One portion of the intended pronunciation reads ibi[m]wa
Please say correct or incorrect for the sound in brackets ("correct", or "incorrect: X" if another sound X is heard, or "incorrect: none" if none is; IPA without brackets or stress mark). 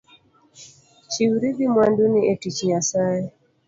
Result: correct